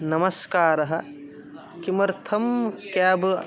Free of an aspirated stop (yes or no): no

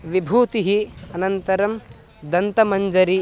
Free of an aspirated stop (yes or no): yes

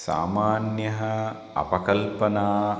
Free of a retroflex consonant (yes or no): yes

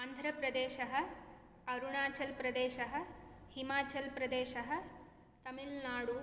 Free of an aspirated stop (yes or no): yes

